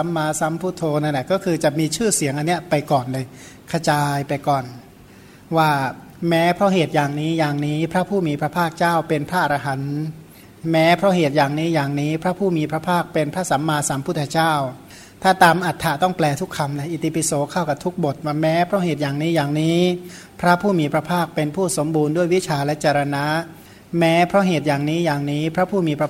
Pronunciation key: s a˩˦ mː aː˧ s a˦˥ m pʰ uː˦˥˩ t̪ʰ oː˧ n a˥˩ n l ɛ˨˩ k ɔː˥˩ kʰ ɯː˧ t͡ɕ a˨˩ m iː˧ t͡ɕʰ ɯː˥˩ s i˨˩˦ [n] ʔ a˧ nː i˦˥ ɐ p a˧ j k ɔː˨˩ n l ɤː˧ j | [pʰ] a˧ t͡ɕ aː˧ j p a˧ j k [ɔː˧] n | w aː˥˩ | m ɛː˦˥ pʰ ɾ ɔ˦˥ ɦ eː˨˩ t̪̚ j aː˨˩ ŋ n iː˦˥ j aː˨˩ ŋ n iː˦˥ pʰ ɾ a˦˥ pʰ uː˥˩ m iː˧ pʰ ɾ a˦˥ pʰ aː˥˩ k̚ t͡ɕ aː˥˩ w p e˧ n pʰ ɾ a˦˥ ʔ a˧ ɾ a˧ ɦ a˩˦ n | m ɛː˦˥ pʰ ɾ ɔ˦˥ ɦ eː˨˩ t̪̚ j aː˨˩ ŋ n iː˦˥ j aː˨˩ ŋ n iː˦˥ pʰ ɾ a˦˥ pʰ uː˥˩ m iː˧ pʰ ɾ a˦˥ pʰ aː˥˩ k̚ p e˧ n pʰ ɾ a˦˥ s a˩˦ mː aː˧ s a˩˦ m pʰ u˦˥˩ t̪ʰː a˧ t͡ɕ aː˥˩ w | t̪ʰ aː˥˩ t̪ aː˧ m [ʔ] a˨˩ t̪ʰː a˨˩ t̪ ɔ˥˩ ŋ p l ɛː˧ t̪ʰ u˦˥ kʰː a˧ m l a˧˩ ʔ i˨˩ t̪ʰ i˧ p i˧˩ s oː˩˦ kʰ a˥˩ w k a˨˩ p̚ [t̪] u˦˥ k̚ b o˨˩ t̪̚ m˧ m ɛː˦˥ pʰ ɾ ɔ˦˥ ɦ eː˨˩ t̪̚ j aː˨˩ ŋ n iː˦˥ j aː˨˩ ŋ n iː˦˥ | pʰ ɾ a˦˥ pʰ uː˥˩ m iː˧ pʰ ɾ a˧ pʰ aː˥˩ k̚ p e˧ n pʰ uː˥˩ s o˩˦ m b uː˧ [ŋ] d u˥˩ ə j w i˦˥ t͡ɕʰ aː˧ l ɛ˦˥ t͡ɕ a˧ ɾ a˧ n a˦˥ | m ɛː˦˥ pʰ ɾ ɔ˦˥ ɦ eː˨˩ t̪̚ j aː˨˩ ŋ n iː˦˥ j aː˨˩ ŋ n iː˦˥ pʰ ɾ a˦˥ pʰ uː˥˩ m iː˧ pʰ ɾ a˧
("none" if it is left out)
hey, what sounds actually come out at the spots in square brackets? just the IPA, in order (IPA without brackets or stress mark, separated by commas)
ŋ, kʰ, ɔː˨˩, ʔ, t̪ʰ, n